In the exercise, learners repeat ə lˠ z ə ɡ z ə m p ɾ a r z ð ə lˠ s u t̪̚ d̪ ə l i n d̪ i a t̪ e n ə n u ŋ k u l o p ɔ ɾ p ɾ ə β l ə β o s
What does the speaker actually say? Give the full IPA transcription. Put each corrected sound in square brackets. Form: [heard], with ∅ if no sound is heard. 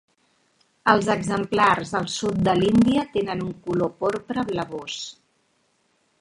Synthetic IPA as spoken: ə lˠ z ə ɡ z ə m p [l] a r z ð ə lˠ s u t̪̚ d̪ ə l i n d̪ i [ə] t̪ e n ə n u ŋ k u l o p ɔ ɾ p ɾ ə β l ə β o s